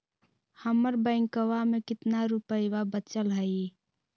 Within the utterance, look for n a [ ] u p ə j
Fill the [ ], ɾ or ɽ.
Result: ɾ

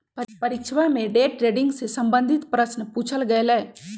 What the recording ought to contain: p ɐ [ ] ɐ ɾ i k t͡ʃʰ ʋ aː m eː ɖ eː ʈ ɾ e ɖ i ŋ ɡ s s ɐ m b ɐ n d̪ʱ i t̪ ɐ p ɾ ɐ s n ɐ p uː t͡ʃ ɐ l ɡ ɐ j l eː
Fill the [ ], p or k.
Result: p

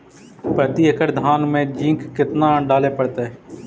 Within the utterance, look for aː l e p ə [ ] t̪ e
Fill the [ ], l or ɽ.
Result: ɽ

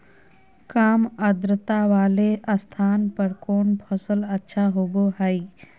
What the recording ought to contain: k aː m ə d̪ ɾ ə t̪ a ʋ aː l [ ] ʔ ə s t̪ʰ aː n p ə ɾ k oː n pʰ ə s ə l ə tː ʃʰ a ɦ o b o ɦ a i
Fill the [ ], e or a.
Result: e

